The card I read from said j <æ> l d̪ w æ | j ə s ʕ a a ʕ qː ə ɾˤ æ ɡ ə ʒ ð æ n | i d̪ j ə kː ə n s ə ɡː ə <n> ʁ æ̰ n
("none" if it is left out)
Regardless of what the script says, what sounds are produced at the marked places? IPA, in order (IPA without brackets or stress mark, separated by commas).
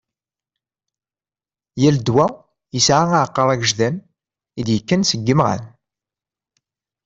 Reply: æ, m